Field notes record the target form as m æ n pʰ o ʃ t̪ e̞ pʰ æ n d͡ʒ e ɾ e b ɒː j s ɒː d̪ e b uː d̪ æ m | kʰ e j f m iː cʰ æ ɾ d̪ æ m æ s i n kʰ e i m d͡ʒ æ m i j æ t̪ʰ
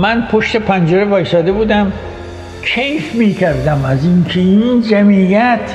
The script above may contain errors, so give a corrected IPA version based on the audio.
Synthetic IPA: m æ n pʰ o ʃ t̪ e̞ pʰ æ n d͡ʒ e ɾ e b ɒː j s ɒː d̪ e b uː d̪ æ m | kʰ e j f m iː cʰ æ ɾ d̪ æ m æ z i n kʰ e i n d͡ʒ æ m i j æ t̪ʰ